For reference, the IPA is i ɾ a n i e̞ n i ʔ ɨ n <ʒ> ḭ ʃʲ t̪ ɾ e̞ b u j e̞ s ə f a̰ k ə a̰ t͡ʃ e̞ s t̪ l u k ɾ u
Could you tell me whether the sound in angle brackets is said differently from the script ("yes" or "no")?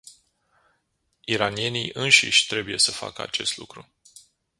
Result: yes